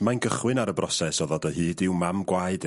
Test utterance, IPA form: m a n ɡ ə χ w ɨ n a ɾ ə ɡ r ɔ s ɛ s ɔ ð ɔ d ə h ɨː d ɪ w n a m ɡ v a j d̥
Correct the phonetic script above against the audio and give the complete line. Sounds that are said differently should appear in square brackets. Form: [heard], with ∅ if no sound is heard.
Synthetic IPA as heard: m a n ɡ ə χ w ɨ n a ɾ ə [b] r ɔ s ɛ s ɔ ð ɔ d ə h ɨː d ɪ w [m] a m ɡ [w] a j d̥

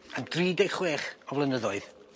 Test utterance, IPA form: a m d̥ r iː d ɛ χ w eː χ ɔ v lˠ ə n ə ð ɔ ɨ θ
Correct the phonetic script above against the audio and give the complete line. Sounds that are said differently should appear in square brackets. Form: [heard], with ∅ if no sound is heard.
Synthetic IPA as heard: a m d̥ r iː d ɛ χ w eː χ ɔ v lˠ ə n ə ð ɔ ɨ [ð]

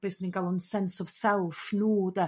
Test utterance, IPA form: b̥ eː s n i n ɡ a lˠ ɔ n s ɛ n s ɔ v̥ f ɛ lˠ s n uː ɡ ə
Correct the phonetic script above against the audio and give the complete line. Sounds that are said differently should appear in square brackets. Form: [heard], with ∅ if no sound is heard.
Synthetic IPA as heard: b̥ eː s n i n ɡ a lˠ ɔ n s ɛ n s ɔ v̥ [s] ɛ lˠ [f] n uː [d] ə

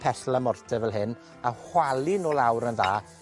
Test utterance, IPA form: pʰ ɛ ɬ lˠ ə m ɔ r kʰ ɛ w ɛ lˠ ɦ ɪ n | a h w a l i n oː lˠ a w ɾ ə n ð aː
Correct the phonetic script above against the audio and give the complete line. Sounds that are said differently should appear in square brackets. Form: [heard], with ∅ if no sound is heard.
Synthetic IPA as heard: pʰ ɛ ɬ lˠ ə m ɔ r [tʰ] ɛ [v] ɛ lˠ ɦ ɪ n | a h w a l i n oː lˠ a w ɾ ə n ð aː

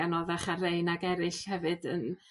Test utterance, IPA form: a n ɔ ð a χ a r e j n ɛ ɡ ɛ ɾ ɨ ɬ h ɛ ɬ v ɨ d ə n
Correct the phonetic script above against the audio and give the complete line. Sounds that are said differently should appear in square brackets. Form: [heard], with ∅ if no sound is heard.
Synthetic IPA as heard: a n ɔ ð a χ a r e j n [a] ɡ ɛ ɾ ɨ ɬ h ɛ [∅] v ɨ d ə n

